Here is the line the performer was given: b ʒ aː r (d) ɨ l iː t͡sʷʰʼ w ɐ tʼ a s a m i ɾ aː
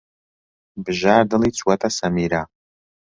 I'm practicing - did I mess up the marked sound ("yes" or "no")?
no